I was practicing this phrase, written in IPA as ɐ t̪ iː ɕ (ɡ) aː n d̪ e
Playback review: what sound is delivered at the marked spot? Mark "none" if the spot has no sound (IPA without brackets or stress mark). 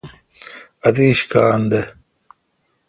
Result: k